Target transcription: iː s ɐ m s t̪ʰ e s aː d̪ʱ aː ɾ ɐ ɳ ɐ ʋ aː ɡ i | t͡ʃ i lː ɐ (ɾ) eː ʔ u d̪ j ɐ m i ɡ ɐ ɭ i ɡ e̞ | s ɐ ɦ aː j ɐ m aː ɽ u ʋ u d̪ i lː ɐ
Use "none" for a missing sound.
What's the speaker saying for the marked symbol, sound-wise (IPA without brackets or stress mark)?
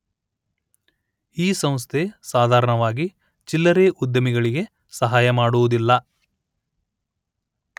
ɾ